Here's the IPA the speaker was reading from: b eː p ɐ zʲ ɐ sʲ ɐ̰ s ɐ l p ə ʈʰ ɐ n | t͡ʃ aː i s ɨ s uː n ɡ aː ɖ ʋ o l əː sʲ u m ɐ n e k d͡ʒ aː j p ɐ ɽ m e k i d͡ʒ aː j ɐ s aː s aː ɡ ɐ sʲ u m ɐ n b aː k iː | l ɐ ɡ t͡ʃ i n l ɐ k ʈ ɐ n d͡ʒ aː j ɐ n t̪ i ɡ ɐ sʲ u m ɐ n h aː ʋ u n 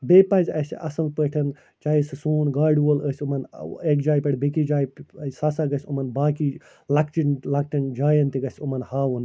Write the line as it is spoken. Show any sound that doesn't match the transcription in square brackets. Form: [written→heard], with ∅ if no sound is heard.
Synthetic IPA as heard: b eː p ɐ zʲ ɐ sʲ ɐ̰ s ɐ l p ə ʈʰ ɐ n | t͡ʃ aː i s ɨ s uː n ɡ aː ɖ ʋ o l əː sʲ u m ɐ n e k d͡ʒ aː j p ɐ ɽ [m→b] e k i d͡ʒ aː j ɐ s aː s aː ɡ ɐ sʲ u m ɐ n b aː k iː | l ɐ [ɡ→k] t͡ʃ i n l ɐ k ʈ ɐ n d͡ʒ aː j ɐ n t̪ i ɡ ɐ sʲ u m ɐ n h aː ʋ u n